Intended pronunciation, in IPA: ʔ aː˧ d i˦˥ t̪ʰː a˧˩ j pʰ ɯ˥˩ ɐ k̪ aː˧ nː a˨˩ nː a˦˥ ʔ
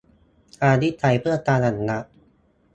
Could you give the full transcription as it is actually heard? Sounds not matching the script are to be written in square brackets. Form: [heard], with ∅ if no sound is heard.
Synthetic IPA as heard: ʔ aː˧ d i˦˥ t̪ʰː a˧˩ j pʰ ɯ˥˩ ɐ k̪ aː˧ [n] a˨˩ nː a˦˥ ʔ

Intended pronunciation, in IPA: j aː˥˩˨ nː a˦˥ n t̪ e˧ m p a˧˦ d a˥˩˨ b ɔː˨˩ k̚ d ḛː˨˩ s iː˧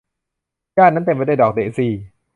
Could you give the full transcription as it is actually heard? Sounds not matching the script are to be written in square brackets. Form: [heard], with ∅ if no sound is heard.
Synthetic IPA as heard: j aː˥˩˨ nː a˦˥ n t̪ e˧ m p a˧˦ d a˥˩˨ [d] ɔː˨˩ k̚ d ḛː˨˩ s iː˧

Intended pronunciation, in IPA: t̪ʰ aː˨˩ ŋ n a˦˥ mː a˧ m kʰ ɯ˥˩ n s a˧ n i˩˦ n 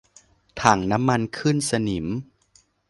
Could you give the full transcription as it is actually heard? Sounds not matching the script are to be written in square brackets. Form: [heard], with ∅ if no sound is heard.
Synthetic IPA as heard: t̪ʰ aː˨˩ ŋ n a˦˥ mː a˧ [n] kʰ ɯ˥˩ n s a˧ n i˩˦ [m]

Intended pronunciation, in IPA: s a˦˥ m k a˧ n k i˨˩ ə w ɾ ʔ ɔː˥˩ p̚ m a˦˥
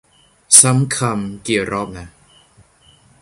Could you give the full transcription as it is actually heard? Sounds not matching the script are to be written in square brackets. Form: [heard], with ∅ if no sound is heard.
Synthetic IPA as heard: s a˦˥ m [kʰ] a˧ [m] k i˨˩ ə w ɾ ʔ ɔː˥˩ p̚ [n] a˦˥

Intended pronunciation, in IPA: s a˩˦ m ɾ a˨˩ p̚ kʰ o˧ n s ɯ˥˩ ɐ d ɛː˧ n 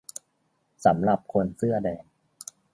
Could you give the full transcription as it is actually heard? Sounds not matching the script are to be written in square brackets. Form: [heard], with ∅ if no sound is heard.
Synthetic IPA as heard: s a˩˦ m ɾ a˨˩ p̚ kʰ o˧ n s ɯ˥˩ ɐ d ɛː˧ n

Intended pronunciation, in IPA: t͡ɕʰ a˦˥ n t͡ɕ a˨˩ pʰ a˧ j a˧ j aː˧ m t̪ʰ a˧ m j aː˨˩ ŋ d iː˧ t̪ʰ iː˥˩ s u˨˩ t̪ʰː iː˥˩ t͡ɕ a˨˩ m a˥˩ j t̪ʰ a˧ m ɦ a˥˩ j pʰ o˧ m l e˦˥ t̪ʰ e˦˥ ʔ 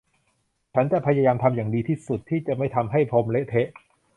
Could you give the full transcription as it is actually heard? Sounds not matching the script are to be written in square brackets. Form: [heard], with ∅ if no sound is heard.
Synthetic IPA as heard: t͡ɕʰ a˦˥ n t͡ɕ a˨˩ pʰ a˧ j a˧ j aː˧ m t̪ʰ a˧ m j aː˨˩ ŋ d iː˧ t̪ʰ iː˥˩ s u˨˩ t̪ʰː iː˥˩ t͡ɕ a˨˩ m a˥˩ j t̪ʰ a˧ m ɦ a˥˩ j pʰ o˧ m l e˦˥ t̪ʰ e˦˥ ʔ

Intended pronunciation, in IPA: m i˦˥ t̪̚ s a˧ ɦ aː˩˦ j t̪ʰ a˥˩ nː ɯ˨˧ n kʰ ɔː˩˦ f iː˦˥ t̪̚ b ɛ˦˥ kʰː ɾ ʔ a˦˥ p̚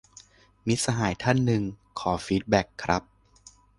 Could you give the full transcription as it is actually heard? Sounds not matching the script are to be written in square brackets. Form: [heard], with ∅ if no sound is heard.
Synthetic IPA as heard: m i˦˥ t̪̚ s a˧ ɦ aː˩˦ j t̪ʰ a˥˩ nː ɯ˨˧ [ŋ] kʰ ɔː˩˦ f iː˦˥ t̪̚ b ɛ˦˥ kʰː ɾ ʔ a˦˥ p̚

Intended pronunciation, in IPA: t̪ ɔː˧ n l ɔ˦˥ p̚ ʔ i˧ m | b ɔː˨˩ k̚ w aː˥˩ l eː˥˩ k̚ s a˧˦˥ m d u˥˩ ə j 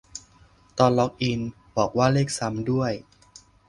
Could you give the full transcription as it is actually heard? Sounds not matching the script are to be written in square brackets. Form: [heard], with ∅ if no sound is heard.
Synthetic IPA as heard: t̪ ɔː˧ n l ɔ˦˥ [k̚] ʔ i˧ [n] | b ɔː˨˩ k̚ w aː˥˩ l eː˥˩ k̚ s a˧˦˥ m d u˥˩ ə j

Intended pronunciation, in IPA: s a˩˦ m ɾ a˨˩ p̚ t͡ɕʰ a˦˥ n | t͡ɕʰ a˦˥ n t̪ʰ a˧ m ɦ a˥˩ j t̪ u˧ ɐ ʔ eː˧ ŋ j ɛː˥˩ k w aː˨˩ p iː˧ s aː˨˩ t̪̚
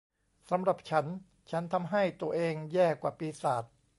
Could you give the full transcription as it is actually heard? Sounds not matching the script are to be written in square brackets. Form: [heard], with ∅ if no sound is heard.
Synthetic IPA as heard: s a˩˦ m ɾ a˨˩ p̚ t͡ɕʰ a˦˥ n | t͡ɕʰ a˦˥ n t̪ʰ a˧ m ɦ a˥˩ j t̪ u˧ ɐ ʔ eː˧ ŋ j ɛː˥˩ k w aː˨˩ p iː˧ s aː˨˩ t̪̚

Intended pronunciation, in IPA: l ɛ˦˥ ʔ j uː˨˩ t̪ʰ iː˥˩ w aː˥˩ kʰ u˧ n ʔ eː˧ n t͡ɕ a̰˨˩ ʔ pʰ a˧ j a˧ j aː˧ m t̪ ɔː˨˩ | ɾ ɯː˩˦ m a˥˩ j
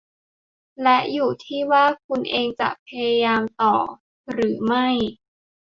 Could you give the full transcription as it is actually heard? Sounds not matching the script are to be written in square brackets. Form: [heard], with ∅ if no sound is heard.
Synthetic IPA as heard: l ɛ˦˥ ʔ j uː˨˩ t̪ʰ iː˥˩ w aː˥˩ kʰ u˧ n ʔ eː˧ [ŋ] t͡ɕ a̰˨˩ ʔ pʰ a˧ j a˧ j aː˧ m t̪ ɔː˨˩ | ɾ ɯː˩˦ m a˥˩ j

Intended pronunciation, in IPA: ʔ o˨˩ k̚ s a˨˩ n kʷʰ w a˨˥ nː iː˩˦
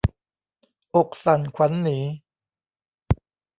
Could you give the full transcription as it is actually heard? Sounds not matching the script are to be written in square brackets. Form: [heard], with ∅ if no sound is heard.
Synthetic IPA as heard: ʔ o˨˩ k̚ s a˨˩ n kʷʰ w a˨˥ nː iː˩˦

